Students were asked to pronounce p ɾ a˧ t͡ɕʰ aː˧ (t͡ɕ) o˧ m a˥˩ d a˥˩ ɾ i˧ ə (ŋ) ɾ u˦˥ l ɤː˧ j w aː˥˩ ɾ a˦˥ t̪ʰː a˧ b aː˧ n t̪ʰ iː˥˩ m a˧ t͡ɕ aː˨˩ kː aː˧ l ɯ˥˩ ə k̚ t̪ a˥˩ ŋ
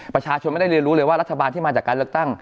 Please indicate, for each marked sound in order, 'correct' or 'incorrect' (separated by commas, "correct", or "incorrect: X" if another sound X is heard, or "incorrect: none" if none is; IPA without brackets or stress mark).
incorrect: t͡ɕʰ, incorrect: n